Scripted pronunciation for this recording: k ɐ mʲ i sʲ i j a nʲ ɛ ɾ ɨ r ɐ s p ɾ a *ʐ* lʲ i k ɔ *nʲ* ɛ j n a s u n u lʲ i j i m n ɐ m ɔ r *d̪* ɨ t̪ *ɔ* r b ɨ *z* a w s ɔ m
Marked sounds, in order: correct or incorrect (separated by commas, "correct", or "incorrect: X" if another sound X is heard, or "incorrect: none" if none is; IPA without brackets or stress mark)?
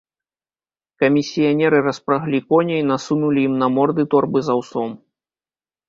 incorrect: ɣ, correct, correct, correct, correct